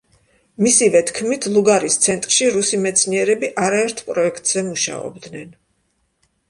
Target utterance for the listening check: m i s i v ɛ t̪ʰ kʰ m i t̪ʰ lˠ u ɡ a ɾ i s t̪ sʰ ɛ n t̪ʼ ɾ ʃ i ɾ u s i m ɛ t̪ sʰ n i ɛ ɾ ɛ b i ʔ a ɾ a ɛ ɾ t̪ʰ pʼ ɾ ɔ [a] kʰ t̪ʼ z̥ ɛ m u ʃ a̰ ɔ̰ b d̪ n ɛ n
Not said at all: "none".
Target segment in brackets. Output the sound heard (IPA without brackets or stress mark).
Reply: ɛ